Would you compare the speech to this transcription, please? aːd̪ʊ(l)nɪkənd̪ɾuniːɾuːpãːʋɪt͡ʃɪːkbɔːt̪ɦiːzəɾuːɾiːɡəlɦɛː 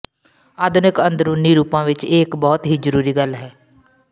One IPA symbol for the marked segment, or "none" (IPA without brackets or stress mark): none